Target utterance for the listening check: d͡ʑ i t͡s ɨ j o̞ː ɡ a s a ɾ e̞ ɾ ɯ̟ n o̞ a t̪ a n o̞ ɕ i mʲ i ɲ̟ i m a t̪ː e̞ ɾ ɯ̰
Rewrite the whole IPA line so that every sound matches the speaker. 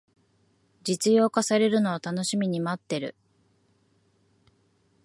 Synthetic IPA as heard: d͡ʑ i t͡s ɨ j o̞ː k a s a ɾ e̞ ɾ ɯ̟ n o̞ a t̪ a n o̞ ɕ i mʲ i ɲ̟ i m a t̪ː e̞ ɾ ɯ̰